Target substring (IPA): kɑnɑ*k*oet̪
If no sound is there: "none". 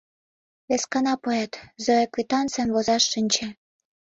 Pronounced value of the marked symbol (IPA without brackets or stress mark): p